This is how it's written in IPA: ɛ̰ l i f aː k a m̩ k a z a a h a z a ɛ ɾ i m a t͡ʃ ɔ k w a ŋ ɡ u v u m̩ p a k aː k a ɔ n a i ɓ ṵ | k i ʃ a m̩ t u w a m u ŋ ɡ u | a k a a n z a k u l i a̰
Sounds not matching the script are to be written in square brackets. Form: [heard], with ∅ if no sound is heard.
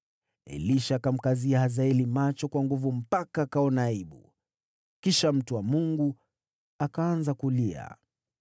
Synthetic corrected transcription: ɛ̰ l i [ʃ] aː k a m̩ k a z [i] a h a z a ɛ [l] i m a t͡ʃ ɔ k w a ŋ ɡ u v u m̩ p a k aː k a ɔ n a i ɓ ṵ | k i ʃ a m̩ t u w a m u ŋ ɡ u | a k a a n z a k u l i a̰